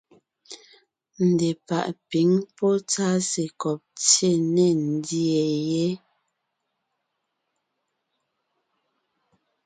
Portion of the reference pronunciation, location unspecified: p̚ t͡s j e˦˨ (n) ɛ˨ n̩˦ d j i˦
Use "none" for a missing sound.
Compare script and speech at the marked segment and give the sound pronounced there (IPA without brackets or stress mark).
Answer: n